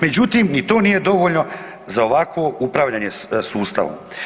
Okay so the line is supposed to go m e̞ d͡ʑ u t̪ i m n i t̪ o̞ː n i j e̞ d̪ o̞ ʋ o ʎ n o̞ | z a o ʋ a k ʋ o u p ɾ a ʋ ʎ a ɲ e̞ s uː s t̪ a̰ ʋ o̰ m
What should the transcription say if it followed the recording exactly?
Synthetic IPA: m e̞ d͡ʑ u t̪ i m n i t̪ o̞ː n i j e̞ d̪ o̞ ʋ o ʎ n o̞ | z a o ʋ a k ʋ o u p ɾ a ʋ ʎ a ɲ e̞ s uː s t̪ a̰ ʋ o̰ m